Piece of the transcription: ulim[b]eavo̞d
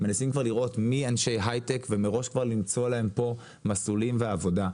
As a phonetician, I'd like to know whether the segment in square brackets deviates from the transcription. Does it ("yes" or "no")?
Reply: yes